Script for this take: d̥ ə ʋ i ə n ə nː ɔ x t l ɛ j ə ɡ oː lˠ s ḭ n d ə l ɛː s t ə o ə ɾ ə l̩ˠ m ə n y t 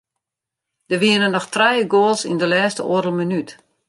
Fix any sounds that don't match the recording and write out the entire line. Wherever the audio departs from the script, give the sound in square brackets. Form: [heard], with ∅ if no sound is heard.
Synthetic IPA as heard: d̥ ə ʋ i ə n ə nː ɔ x t [r] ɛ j ə ɡ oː lˠ s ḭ n d ə l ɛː s t ə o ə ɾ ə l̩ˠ m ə n y t